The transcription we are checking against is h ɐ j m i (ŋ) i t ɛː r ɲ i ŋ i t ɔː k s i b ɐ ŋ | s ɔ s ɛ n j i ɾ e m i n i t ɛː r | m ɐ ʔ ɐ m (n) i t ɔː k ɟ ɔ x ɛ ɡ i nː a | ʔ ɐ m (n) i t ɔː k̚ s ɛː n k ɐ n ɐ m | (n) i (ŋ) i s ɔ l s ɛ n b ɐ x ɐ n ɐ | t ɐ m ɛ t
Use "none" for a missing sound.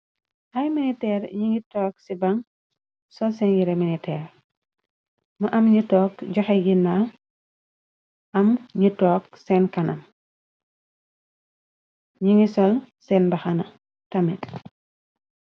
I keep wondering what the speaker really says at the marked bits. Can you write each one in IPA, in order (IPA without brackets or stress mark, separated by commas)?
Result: n, ɲ, ɲ, ɲ, ŋ